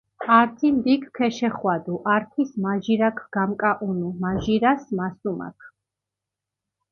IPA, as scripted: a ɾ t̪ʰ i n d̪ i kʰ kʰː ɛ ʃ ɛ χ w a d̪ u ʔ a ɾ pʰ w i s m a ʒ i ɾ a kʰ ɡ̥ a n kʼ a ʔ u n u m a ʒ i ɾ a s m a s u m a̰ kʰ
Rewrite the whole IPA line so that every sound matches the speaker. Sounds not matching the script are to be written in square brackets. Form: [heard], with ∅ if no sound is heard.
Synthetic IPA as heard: a ɾ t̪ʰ i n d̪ i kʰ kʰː ɛ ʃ ɛ χ w a d̪ u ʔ a ɾ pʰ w i s m a ʒ i ɾ a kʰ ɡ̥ a [m] kʼ a ʔ u n u m a ʒ i ɾ a s m a s u m a̰ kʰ